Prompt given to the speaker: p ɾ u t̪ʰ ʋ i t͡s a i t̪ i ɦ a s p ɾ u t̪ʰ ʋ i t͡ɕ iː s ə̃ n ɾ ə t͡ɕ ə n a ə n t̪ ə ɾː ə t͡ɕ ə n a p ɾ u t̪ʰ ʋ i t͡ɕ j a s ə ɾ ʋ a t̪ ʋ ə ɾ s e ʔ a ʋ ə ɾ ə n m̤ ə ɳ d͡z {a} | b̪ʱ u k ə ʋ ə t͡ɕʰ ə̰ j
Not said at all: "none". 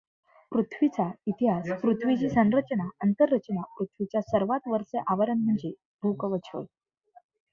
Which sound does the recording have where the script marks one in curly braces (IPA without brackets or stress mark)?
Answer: e